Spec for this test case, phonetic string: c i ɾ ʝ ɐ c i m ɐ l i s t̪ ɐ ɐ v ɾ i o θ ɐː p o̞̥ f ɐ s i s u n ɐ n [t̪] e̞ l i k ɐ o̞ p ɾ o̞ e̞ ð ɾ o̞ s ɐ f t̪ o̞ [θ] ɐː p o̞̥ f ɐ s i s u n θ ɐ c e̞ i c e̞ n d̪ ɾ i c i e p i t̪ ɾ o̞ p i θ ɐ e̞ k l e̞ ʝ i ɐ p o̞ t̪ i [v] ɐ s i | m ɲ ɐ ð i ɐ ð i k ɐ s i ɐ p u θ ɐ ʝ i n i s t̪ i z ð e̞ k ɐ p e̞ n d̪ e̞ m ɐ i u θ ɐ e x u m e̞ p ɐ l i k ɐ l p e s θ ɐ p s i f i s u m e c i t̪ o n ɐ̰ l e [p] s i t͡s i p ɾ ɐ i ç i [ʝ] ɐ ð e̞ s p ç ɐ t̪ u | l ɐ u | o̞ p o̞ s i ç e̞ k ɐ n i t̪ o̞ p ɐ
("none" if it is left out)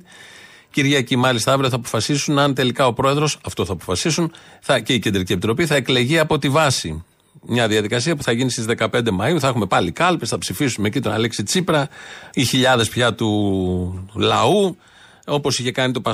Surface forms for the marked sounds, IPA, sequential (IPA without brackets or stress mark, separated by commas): t̪, θ, v, k, ʎ